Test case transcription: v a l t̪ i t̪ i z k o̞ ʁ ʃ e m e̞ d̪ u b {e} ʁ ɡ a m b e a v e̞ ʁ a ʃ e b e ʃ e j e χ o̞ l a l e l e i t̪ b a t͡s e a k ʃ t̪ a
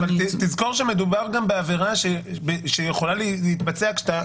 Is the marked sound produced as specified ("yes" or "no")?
no